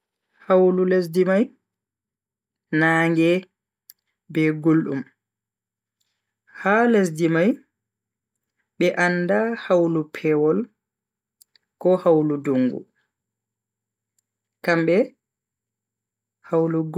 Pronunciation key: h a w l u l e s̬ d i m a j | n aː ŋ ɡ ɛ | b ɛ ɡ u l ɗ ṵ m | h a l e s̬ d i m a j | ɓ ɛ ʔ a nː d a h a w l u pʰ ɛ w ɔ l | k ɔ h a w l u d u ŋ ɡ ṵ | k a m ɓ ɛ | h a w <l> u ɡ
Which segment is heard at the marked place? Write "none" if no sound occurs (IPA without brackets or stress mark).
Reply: l